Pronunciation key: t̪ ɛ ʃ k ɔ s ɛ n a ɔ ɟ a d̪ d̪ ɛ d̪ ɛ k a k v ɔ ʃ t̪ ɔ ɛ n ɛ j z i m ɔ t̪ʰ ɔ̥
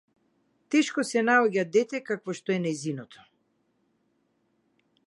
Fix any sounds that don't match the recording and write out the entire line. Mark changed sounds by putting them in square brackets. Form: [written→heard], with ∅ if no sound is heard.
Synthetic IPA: t̪ ɛ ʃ k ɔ s ɛ n a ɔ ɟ a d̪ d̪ ɛ [d̪→t̪] ɛ k a k v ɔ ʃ t̪ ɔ ɛ n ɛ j z i [m→n] ɔ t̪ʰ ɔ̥